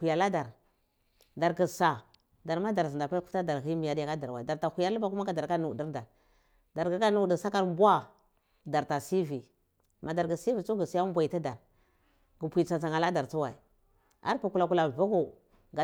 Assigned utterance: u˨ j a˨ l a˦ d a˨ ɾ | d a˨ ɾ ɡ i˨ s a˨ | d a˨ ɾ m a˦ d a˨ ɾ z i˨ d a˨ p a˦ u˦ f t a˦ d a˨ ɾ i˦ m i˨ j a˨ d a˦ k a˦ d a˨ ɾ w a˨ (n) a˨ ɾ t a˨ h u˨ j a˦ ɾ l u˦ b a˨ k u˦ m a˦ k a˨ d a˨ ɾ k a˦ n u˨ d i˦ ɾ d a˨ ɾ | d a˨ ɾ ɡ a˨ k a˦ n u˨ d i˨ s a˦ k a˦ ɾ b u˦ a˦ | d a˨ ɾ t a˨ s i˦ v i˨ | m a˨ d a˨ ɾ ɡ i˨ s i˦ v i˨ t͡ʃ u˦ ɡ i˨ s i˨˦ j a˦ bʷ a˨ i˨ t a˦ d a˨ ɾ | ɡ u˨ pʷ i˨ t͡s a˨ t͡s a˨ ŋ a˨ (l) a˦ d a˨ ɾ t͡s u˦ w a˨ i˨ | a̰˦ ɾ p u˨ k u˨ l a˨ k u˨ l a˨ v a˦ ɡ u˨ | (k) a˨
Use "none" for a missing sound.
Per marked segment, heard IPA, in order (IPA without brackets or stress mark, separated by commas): d, l, ɡ